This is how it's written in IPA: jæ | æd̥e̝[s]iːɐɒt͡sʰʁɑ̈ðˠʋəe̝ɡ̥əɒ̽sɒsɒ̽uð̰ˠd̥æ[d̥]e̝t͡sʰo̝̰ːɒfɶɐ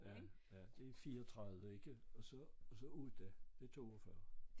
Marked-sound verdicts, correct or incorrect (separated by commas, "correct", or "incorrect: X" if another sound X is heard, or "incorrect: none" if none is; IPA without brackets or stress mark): incorrect: f, correct